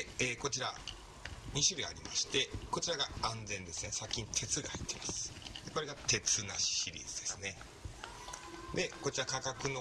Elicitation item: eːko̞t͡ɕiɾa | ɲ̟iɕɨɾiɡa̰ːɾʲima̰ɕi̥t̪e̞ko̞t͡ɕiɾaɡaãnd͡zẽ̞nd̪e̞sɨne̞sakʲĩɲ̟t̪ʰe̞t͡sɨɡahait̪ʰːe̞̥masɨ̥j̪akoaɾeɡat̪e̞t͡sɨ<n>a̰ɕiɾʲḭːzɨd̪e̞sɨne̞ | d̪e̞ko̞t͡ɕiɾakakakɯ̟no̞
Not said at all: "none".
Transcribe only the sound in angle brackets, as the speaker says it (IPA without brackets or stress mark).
n